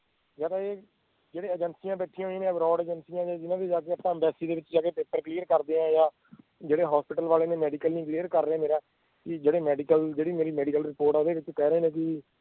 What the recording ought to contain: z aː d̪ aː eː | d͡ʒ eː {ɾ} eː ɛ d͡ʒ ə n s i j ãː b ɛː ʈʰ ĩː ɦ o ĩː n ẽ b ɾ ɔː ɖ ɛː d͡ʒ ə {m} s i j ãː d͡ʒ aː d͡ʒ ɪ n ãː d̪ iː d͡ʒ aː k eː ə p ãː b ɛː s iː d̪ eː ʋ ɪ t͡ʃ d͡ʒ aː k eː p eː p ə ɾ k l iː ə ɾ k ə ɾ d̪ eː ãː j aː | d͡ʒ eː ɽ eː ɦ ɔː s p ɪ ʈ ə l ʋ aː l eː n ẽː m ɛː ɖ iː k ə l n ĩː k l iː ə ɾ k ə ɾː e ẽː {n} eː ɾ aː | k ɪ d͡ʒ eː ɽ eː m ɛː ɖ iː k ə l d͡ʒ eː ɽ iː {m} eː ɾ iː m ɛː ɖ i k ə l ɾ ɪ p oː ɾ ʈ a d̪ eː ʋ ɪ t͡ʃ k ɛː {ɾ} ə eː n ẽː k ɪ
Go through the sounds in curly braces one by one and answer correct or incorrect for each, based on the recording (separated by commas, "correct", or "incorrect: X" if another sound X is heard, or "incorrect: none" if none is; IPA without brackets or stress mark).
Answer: incorrect: ɽ, incorrect: n, incorrect: m, correct, correct